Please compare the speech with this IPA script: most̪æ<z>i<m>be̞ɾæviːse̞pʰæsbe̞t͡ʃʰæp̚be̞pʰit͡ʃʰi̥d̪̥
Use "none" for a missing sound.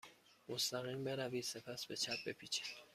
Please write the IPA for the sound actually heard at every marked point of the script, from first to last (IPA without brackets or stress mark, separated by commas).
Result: ɣ, m